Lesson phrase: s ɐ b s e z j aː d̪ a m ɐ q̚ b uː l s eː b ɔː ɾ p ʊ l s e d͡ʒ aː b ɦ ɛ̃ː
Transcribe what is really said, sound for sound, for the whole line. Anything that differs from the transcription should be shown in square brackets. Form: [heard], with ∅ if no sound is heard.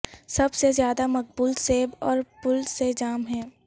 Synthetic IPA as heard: s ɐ b s e z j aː d̪ a m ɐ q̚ b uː l s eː b ɔː ɾ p ʊ l s e d͡ʒ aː [m] ɦ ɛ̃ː